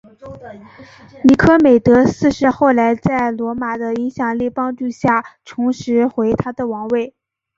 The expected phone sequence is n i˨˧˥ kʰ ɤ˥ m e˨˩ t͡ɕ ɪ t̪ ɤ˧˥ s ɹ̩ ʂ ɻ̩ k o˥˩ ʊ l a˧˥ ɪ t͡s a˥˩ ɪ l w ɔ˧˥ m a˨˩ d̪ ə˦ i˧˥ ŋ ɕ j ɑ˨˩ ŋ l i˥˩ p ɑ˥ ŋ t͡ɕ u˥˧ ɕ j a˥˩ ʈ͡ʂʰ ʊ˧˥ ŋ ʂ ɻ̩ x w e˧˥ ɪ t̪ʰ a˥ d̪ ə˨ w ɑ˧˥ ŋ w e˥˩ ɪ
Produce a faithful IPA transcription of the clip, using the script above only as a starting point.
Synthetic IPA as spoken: n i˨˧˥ kʰ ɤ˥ m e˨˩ ɪ t̪ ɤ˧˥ s ɹ̩ ʂ ɻ̩ x o˥˩ ʊ l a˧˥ ɪ t͡s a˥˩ ɪ l w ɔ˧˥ m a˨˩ d̪ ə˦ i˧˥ ŋ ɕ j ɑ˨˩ ŋ l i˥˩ p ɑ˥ ŋ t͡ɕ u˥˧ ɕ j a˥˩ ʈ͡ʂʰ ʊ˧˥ ŋ ʂ ɻ̩ x w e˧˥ ɪ t̪ʰ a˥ d̪ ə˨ w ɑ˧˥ ŋ w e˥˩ ɪ